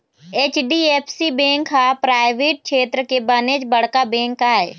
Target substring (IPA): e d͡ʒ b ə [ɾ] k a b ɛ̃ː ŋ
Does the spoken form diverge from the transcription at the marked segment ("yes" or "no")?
yes